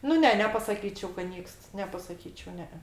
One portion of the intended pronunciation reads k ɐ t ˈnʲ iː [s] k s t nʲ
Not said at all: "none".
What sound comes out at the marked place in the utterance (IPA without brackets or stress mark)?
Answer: none